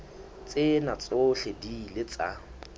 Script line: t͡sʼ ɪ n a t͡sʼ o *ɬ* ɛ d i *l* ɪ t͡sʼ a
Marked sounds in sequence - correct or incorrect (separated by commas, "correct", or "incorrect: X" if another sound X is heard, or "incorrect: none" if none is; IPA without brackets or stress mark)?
correct, correct